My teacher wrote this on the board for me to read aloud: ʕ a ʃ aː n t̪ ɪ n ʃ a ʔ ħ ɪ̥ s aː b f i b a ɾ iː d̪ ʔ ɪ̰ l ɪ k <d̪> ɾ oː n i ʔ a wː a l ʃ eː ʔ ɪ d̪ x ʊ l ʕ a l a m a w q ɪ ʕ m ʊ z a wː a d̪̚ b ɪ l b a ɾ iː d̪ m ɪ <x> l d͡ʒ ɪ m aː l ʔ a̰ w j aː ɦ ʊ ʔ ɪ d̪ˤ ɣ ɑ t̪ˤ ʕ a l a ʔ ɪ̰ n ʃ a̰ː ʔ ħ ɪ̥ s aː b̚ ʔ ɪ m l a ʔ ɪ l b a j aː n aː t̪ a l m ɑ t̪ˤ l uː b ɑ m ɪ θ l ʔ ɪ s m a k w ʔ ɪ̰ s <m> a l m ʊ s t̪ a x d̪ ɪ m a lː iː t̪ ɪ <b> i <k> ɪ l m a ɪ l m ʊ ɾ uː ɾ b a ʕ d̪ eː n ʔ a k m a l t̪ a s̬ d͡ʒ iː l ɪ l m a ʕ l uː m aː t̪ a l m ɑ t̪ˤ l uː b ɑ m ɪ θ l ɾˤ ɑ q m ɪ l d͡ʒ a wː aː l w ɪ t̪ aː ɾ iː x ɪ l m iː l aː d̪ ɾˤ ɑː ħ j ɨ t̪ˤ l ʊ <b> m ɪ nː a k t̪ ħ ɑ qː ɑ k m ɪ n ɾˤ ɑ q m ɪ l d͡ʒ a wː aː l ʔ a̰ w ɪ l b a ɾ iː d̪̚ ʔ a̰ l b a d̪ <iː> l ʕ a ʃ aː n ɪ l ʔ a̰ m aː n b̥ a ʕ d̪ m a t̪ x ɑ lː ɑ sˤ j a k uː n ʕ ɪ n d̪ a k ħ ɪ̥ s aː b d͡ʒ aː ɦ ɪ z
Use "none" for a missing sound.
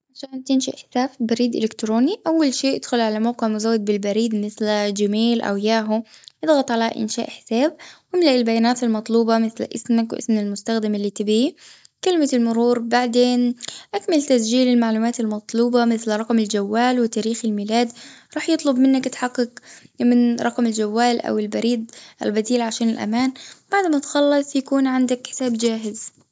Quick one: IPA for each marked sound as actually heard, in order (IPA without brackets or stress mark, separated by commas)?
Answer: t̪, θ, m, b, k, b, iː